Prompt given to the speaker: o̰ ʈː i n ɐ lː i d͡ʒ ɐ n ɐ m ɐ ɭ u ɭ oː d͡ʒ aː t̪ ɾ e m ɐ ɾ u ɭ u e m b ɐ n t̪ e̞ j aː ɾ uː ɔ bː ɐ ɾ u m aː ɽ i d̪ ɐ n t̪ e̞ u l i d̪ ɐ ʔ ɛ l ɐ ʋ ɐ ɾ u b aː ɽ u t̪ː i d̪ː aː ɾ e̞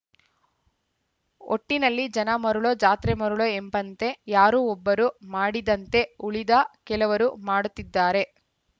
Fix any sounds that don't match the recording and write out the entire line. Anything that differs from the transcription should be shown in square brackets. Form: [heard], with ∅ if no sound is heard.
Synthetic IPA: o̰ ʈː i n ɐ lː i d͡ʒ ɐ n ɐ m ɐ [ɾ] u ɭ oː d͡ʒ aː t̪ ɾ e m ɐ ɾ u ɭ [o] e m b ɐ n t̪ e̞ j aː ɾ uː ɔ bː ɐ ɾ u m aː ɽ i d̪ ɐ n t̪ e̞ u [ɭ] i d̪ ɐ [k] ɛ l ɐ ʋ ɐ ɾ u [m] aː ɽ u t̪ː i d̪ː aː ɾ e̞